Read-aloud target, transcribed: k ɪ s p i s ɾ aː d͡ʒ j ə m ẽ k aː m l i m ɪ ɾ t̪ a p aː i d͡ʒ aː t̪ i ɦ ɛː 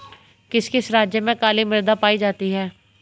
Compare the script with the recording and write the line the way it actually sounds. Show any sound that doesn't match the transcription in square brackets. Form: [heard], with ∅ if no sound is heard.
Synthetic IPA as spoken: k ɪ s [k] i s ɾ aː d͡ʒ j ə m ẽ k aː [∅] l i m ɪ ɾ [d̪] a p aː i d͡ʒ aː t̪ i ɦ ɛː